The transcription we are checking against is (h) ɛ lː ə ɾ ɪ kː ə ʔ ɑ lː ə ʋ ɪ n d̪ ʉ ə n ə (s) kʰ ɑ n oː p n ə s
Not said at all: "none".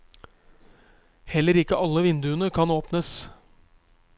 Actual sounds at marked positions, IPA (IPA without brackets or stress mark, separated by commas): h, none